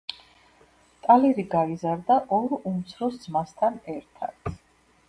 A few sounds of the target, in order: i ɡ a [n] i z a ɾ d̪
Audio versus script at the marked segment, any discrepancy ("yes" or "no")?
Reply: yes